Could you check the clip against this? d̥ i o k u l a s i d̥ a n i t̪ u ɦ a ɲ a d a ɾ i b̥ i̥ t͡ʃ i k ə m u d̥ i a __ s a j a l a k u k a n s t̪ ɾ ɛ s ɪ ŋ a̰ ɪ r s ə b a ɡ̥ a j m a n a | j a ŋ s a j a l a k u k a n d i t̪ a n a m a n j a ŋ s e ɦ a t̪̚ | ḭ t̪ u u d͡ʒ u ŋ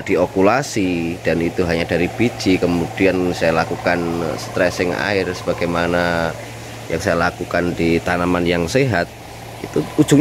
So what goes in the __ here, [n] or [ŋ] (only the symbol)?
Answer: n